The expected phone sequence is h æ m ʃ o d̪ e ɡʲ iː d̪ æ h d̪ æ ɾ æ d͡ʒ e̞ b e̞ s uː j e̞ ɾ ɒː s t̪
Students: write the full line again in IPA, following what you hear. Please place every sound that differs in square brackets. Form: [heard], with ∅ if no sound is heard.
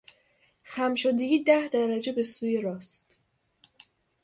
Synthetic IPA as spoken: [x] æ m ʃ o d̪ e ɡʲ iː d̪ æ h d̪ æ ɾ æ d͡ʒ e̞ b e̞ s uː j e̞ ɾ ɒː s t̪